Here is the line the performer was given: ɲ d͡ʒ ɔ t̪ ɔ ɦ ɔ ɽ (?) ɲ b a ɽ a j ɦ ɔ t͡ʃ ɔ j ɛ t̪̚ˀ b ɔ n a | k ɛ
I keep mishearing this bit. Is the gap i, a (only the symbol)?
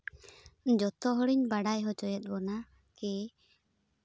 i